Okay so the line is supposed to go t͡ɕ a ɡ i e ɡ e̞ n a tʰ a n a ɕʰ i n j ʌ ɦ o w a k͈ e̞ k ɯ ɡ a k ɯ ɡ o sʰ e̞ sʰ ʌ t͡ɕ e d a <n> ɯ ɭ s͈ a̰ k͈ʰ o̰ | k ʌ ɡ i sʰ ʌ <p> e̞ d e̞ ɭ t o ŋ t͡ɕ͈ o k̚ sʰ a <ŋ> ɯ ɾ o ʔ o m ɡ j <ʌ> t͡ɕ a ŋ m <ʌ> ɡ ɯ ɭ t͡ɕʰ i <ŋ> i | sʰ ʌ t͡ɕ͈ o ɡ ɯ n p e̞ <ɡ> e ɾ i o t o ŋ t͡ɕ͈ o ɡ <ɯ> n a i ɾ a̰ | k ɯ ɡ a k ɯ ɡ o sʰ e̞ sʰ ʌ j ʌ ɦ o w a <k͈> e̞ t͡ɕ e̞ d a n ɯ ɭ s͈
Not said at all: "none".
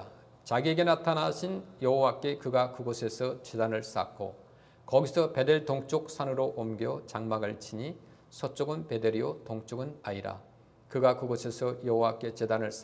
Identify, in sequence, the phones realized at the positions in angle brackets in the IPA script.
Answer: n, p, n, ʌ, a, ɲ, d, ɯ, k͈

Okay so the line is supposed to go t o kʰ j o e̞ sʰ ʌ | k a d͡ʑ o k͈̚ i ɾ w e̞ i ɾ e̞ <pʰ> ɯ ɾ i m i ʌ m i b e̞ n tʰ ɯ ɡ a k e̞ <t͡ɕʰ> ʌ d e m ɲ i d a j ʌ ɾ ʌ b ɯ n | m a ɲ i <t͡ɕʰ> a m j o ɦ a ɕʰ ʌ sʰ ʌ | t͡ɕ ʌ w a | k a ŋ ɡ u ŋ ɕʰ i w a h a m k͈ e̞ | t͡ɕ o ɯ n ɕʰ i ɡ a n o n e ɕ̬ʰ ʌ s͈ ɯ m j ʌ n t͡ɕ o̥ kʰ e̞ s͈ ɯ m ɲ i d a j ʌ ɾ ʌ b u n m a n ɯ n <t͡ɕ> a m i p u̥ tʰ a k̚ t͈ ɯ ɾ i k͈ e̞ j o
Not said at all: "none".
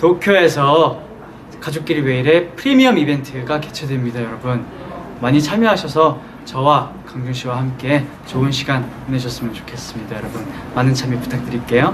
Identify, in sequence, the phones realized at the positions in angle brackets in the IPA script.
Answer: pʰ, t͡ɕʰ, t͡ɕʰ, t͡ɕʰ

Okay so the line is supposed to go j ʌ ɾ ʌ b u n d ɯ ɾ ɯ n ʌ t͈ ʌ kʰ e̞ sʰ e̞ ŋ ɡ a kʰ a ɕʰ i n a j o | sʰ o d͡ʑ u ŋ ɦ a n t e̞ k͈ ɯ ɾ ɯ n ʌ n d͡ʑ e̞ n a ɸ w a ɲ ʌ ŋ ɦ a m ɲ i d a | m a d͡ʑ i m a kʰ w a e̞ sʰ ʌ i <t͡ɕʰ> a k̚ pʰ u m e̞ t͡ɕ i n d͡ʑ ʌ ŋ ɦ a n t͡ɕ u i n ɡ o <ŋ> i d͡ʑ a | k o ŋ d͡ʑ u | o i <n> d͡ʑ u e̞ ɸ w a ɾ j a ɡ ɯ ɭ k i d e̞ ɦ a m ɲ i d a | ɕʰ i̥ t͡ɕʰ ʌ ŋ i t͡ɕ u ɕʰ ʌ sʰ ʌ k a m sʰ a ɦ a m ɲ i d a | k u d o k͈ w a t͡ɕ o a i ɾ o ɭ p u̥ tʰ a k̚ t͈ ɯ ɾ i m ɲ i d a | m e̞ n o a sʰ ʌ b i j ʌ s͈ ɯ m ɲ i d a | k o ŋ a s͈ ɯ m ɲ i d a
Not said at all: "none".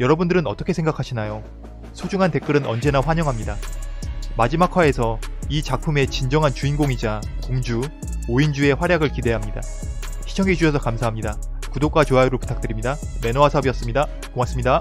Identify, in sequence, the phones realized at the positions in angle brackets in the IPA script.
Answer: t͡ɕ, ŋ, n

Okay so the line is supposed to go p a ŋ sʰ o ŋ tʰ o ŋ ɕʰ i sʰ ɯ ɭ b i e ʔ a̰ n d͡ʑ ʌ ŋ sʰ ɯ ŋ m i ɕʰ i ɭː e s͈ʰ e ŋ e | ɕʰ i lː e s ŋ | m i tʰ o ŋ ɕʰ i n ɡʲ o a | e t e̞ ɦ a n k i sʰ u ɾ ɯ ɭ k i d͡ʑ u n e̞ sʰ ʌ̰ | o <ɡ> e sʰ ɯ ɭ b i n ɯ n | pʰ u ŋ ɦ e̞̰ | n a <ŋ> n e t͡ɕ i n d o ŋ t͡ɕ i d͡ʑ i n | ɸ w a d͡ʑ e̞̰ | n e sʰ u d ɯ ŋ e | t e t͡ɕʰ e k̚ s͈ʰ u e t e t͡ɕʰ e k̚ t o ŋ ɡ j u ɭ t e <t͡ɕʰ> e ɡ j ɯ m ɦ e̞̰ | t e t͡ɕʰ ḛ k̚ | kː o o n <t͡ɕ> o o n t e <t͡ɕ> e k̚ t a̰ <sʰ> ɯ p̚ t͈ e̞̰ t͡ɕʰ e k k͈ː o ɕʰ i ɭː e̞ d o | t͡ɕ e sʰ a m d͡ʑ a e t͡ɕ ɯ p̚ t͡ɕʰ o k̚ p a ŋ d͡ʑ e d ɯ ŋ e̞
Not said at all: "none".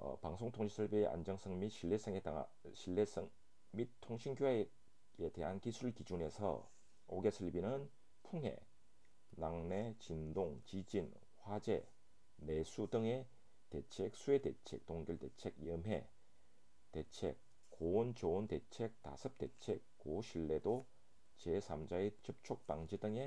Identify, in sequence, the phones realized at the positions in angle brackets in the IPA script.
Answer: ɡ, ŋ, t͡ɕʰ, t͡ɕ, t͡ɕʰ, sʰ

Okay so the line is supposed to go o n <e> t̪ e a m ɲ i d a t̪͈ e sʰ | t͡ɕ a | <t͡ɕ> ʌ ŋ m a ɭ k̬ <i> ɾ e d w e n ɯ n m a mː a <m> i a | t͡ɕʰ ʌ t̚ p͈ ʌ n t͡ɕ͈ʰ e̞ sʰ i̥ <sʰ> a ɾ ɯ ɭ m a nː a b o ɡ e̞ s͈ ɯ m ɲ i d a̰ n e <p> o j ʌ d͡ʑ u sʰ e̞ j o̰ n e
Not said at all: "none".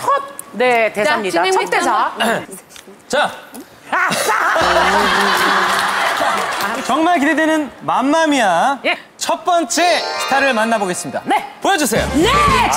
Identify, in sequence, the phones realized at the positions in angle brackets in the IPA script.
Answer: e, t͡ɕ, i, m, tʰ, p

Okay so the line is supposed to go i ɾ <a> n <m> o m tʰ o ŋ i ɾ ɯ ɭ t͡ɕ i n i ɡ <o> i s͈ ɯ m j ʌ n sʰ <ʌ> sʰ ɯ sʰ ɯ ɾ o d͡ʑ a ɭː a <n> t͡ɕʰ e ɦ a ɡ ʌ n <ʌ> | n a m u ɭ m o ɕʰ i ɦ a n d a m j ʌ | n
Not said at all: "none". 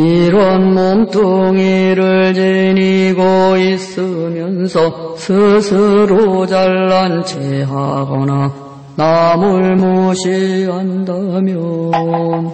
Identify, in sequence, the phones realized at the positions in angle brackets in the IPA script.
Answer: ʌ, m, o, ʌ, n, a

